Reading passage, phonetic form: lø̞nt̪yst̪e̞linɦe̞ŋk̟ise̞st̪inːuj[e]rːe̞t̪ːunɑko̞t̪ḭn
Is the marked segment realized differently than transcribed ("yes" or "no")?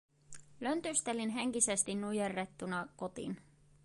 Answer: no